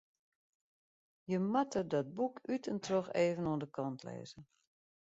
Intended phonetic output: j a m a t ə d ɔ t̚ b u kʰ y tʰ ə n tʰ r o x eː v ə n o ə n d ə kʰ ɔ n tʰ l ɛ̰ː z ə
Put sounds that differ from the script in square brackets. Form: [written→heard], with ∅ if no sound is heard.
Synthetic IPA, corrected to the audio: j [a→ə] m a t ə d ɔ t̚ b u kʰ y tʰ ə n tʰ r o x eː v ə n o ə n d ə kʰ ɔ n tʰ l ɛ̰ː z ə